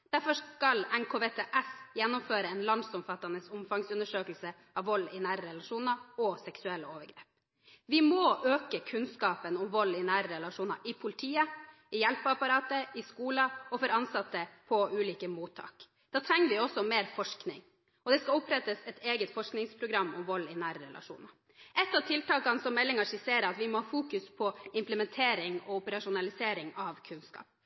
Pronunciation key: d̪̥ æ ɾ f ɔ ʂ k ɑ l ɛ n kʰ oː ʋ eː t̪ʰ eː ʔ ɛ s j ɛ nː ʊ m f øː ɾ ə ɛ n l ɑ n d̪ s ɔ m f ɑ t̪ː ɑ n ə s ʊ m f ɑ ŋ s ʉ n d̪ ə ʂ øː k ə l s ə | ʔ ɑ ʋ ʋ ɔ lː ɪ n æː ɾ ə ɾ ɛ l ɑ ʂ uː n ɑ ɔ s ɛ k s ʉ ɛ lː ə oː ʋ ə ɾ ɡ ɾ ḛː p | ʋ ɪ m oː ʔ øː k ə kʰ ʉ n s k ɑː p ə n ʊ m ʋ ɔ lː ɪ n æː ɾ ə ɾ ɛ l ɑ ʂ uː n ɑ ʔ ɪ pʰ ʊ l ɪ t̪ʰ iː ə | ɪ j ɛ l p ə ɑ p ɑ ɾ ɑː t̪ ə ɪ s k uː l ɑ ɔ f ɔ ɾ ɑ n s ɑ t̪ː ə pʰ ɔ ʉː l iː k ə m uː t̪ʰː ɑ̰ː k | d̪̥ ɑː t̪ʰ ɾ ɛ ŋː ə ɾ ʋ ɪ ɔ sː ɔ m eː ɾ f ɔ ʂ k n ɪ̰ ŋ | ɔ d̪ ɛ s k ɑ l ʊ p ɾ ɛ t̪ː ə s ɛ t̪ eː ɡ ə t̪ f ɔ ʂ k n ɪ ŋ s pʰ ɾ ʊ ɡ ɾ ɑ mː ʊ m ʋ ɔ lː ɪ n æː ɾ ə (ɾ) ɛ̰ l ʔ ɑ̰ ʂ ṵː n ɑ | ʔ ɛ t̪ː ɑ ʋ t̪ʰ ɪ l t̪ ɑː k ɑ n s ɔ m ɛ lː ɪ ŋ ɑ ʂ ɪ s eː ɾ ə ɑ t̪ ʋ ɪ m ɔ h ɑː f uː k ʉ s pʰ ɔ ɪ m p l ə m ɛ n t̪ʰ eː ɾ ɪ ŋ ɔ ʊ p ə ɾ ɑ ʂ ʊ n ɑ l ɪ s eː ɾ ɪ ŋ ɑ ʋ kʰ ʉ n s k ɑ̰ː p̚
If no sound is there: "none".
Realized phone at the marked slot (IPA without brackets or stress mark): ɾ